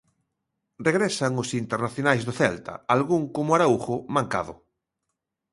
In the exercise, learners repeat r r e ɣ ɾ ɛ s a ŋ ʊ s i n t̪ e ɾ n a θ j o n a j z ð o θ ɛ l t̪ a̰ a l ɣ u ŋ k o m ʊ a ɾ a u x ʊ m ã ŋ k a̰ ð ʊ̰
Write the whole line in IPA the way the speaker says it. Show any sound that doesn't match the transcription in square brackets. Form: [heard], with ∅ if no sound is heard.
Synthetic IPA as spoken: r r e ɣ ɾ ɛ s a ŋ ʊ s i n t̪ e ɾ n a θ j o n a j z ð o θ ɛ l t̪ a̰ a l ɣ u ŋ k o m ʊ a ɾ a u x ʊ m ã ŋ k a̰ ð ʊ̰